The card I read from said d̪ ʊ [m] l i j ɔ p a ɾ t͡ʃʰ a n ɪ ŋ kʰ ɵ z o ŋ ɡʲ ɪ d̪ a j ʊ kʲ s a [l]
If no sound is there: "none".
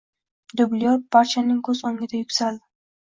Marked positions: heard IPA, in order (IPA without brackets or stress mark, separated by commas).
b, l